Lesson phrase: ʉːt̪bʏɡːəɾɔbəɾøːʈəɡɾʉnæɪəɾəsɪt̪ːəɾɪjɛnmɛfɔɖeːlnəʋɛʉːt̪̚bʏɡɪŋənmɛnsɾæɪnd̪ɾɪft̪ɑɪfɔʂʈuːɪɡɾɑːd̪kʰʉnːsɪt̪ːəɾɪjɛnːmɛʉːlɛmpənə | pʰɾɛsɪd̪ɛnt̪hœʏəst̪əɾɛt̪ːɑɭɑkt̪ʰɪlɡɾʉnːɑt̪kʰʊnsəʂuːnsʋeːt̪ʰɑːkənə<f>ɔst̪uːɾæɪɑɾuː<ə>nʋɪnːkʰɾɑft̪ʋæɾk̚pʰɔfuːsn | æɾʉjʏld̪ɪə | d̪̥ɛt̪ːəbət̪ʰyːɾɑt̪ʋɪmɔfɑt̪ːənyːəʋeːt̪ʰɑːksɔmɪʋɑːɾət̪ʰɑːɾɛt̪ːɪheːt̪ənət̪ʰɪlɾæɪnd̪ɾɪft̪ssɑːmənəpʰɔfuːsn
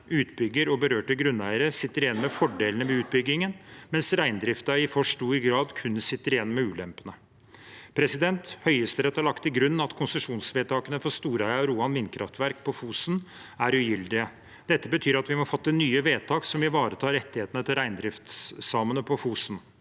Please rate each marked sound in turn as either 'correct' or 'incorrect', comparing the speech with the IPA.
correct, incorrect

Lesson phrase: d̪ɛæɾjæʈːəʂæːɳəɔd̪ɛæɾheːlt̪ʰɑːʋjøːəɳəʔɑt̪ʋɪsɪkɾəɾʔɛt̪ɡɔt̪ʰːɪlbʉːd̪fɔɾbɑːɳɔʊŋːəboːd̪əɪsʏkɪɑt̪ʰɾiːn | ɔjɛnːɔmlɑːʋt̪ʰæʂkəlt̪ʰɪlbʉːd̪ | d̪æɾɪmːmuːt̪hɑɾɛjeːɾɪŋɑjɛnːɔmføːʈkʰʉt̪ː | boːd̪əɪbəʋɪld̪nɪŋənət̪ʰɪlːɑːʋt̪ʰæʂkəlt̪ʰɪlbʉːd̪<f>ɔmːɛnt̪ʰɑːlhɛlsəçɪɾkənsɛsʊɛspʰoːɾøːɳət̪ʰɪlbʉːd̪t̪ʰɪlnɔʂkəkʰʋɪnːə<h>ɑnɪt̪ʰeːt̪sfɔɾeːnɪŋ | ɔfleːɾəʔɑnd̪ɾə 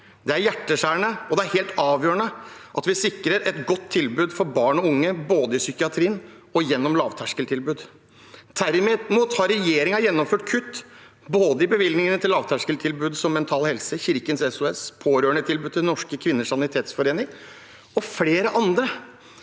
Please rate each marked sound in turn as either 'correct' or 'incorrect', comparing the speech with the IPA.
incorrect, incorrect

